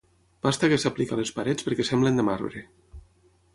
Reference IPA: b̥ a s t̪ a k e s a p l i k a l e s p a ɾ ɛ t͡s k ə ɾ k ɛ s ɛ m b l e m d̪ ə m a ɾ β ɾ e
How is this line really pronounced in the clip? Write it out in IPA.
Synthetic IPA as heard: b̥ a s t̪ a k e s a p l i k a l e s p a ɾ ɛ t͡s p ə ɾ k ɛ s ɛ m b l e n d̪ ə m a ɾ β ɾ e